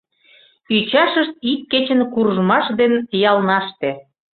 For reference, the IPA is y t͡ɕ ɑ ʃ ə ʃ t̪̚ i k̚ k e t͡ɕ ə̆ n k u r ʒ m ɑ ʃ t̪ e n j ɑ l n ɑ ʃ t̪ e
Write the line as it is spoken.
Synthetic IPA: y t͡ɕ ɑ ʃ ə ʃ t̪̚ i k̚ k e t͡ɕ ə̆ n k u r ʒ m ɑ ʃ d̪ e n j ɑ l n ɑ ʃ t̪ e